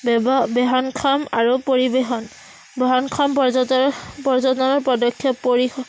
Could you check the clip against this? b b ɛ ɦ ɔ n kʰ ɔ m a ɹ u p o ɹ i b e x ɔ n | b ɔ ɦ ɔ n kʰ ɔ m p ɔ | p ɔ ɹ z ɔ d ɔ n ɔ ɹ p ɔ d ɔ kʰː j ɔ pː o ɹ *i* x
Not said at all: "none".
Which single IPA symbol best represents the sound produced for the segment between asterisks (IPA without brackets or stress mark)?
i